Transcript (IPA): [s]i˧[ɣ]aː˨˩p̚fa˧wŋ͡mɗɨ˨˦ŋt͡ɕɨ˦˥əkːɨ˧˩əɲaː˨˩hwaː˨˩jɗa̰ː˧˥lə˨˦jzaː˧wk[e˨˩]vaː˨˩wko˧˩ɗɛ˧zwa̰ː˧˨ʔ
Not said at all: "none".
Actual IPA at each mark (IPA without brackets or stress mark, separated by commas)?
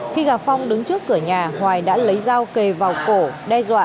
x, ɣ, e˨˩